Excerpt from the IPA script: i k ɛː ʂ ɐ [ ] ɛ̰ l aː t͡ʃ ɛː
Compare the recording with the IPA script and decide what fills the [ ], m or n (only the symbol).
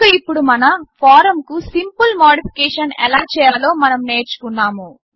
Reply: n